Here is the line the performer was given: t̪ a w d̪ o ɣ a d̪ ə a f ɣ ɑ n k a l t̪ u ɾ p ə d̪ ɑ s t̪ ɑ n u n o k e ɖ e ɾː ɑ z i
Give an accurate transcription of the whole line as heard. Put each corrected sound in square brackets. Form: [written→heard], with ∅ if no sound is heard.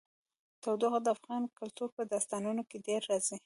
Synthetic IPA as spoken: t̪ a w d̪ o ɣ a d̪ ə a f ɣ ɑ n k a l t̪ u ɾ p ə d̪ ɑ s t̪ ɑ n u n o k e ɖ e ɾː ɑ z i

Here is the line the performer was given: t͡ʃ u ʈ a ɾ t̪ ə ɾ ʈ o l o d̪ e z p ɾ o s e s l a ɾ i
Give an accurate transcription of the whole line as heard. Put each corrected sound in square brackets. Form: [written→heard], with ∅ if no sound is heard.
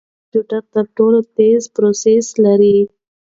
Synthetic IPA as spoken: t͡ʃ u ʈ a ɾ t̪ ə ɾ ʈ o l o [d̪→t̪] e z p ɾ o s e s l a ɾ i

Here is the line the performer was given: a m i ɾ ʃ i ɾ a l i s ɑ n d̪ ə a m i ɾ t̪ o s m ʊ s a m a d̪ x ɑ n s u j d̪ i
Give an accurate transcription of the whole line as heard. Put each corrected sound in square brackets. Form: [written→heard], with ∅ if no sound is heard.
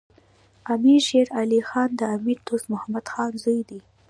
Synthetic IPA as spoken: a m i ɾ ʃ [i→e] ɾ a l i [s→x] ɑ n d̪ ə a m i ɾ t̪ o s m ʊ [s→h] a m a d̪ x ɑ n [s→z] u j d̪ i

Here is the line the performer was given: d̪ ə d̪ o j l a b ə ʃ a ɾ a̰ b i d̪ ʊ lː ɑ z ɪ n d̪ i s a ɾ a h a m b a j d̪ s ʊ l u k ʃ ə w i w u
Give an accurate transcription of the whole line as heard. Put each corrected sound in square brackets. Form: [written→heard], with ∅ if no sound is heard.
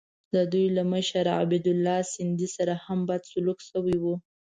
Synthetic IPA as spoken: d̪ ə d̪ [o→u] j l a [b→m] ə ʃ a ɾ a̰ b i d̪ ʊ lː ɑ [z→s] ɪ n d̪ i s a ɾ a h a m b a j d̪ s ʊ l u k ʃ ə w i w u

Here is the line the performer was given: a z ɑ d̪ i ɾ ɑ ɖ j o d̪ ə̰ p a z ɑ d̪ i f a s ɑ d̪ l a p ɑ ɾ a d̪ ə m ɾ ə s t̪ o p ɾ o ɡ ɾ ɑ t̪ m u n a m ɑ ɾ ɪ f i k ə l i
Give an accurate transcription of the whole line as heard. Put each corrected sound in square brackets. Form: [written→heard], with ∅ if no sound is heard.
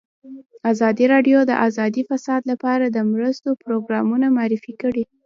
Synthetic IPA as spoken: a z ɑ d̪ i ɾ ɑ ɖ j o d̪ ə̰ [p→ʔ] a z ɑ d̪ i f a s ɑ d̪ l a p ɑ ɾ a d̪ ə m ɾ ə s t̪ o p ɾ o ɡ ɾ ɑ [t̪→∅] m u n a m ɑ ɾ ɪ f i k ə [l→ɽ] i

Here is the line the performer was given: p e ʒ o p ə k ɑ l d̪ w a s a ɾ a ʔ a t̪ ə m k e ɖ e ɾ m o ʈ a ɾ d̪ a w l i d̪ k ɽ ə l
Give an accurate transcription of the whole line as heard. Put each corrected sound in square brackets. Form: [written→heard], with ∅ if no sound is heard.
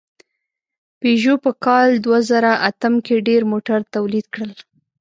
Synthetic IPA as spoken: p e ʒ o p ə k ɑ l d̪ w a [s→z] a ɾ a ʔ a t̪ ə m k e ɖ e ɾ m o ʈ a ɾ [d̪→t̪] a w l i d̪ k ɽ ə l

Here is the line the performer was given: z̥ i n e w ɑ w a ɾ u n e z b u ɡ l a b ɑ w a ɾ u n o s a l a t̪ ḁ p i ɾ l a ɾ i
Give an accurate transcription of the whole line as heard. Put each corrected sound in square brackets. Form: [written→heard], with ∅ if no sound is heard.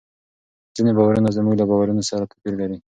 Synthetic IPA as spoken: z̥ i n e [w→b] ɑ w a ɾ u n [e→a] z [b→m] u ɡ l a b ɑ w a ɾ u n o s a [l→ɾ] a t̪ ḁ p i ɾ l a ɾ i

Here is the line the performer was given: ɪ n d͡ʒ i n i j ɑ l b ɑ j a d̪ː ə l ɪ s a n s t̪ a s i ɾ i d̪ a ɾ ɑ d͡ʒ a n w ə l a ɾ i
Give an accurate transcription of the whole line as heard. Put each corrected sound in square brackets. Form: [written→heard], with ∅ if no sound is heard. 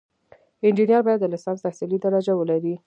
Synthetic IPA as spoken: ɪ n d͡ʒ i n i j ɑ [l→ɾ] b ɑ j a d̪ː ə l ɪ s [a→ɑ] n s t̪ a s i [ɾ→l] i d̪ a ɾ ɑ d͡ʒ a [n→∅] w ə l a ɾ i

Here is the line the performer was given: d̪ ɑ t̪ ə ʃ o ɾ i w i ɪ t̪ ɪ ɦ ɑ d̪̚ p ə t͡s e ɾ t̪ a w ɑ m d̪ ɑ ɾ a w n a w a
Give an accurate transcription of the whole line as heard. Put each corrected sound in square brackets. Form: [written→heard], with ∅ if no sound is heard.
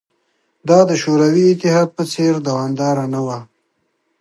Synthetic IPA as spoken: d̪ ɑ [t̪→d̪] ə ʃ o ɾ [i→a] w i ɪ t̪ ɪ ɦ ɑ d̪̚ p ə t͡s e ɾ [t̪→d̪] a w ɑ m d̪ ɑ ɾ a [w→∅] n a w a

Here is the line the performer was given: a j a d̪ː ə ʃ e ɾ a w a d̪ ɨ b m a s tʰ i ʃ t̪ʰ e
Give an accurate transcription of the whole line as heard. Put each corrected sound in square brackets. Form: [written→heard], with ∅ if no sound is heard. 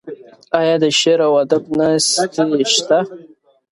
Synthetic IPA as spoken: a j a [d̪ː→d̪] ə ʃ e ɾ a w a d̪ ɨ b [m→n] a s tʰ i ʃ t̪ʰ [e→a]

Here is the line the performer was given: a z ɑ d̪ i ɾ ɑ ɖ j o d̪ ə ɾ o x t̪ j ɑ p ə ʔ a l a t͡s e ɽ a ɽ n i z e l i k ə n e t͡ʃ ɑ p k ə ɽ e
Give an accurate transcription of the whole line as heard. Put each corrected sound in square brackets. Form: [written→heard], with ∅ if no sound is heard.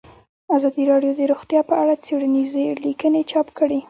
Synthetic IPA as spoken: a z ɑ d̪ i ɾ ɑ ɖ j o d̪ ə ɾ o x t̪ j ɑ p ə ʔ a [l→ɽ] a t͡s e ɽ a [ɽ→∅] n i z e l i k ə n e t͡ʃ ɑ p k ə ɽ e

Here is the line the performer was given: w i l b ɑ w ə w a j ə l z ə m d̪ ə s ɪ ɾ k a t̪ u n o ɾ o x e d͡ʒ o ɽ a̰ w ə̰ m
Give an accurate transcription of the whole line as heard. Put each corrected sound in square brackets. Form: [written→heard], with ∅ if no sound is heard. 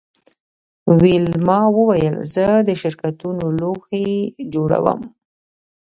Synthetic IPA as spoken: w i l [b→m] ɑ w ə w a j ə l z ə [m→∅] d̪ ə [s→ʃ] ɪ ɾ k a t̪ u n o [ɾ→l] o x e d͡ʒ o ɽ a̰ w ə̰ m

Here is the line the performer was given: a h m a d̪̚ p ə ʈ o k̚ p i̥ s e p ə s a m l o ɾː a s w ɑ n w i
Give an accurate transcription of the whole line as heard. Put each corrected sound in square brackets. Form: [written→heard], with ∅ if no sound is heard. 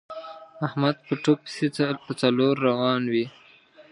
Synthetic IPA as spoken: a h m a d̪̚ p ə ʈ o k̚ p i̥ s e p ə [s→t͡s] a [m→∅] l o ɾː a [s→∅] w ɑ n w i

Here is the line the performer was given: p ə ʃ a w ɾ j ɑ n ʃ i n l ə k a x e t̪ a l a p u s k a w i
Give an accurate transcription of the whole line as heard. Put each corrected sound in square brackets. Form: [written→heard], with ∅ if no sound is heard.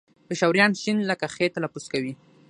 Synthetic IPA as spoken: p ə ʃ a w ɾ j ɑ n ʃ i n l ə k a x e t̪ a l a p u s k a w i

